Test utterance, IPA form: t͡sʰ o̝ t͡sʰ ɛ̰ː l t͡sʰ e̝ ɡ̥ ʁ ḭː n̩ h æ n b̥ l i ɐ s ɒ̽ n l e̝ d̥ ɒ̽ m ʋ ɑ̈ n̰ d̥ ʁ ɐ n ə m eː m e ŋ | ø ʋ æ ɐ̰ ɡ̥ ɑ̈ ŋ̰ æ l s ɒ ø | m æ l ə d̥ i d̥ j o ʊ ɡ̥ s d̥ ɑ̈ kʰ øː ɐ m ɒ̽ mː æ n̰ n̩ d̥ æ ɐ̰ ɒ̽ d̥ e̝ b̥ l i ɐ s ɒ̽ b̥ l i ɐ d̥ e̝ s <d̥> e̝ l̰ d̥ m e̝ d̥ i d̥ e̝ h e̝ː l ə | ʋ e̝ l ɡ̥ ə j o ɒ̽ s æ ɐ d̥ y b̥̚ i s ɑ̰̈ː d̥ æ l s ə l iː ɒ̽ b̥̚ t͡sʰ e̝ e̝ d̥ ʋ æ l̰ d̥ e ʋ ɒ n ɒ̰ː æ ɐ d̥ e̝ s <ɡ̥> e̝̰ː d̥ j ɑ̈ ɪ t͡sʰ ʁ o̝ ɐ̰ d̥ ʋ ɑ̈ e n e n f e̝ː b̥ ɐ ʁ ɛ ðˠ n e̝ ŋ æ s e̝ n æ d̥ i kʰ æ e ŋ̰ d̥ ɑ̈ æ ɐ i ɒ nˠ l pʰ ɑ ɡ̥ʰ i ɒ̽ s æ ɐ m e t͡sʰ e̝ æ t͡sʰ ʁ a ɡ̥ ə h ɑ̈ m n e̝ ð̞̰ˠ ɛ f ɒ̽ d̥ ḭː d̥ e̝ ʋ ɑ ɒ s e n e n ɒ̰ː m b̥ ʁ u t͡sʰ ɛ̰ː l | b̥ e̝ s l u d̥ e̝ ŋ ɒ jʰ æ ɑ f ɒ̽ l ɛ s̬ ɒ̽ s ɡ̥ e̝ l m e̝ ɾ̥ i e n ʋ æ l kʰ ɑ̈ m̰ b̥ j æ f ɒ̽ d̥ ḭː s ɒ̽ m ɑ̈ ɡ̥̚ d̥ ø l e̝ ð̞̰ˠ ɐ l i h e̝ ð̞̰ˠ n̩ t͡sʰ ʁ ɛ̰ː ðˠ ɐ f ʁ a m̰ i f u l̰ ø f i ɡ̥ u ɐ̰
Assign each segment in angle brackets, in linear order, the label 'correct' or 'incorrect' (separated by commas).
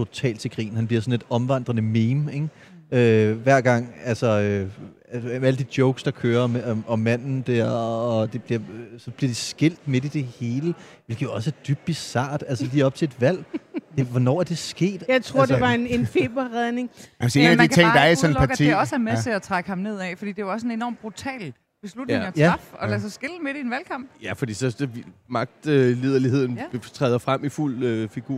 incorrect, correct